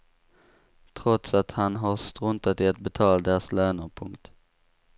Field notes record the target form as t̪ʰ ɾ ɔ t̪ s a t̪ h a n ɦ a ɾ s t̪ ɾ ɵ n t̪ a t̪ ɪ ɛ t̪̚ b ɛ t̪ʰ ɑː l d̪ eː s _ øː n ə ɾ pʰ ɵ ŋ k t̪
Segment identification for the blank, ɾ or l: l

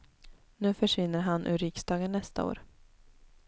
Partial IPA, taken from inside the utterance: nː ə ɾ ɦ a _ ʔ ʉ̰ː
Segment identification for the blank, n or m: n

